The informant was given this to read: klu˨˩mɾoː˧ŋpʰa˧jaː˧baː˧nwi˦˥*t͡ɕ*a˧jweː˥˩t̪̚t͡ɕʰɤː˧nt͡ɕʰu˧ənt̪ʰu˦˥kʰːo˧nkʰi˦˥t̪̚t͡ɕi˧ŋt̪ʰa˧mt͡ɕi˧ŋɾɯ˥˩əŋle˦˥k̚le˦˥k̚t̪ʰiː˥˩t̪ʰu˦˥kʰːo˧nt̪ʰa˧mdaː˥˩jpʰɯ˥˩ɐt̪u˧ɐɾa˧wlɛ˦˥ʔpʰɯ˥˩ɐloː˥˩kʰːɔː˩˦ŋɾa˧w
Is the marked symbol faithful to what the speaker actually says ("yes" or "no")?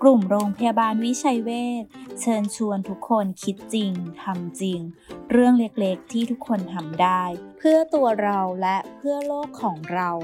no